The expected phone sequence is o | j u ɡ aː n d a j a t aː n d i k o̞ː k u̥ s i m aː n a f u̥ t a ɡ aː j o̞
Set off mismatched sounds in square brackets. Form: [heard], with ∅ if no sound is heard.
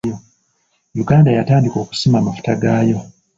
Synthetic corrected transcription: o | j u ɡ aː n d a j a t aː n d i k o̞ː k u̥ s i m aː [m] a f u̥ t a ɡ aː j o̞